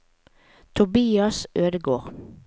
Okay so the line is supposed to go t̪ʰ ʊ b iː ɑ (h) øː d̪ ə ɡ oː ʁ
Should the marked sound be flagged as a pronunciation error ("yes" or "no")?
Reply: yes